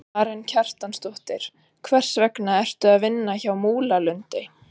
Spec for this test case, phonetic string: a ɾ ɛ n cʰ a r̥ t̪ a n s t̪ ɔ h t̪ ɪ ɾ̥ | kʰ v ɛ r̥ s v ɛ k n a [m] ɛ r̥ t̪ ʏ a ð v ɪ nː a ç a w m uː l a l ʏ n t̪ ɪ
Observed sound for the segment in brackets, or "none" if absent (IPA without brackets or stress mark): none